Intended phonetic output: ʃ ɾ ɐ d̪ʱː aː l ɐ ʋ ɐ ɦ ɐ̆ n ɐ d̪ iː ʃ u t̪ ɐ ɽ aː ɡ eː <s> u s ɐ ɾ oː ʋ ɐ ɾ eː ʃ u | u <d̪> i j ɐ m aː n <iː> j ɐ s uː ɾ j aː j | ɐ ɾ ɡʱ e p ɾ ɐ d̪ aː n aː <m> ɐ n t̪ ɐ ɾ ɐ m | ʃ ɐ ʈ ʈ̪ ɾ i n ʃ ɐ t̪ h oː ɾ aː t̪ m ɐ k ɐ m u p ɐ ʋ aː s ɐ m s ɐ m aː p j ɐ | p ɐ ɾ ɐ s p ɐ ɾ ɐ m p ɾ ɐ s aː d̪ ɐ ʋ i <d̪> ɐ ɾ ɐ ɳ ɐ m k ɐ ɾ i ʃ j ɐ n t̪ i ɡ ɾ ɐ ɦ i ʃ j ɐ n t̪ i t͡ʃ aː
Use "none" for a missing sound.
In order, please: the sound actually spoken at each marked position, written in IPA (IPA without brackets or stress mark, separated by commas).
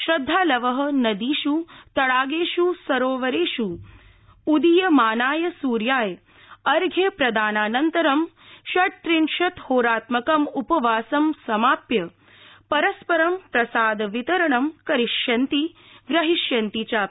ʃ, d̪, aː, n, t̪